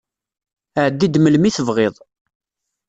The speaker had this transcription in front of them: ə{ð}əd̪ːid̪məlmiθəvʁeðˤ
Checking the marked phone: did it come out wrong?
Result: yes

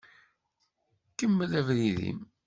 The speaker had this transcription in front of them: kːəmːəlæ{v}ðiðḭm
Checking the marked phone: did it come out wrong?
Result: no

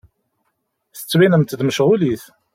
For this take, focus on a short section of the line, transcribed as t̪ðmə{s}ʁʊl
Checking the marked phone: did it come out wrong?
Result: yes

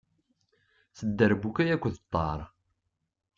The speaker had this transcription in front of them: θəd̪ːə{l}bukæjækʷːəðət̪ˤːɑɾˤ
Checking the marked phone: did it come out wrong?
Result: yes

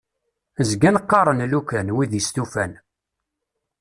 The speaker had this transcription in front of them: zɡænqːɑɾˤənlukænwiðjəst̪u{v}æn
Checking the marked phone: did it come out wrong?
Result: yes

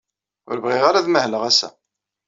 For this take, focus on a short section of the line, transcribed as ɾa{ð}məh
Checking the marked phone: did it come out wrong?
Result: no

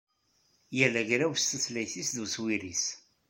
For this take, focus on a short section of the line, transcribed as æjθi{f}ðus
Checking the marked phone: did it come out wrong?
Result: yes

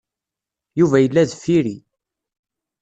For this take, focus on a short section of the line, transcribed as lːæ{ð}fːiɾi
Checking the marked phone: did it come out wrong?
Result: no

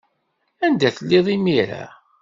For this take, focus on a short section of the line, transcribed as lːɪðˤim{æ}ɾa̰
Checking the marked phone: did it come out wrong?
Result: yes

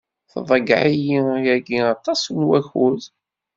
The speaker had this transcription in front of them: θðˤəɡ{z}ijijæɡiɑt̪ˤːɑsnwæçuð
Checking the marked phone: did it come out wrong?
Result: yes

